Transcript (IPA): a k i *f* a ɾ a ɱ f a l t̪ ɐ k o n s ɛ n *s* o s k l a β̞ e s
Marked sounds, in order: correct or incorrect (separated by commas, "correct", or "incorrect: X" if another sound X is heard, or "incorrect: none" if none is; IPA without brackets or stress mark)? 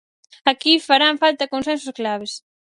correct, correct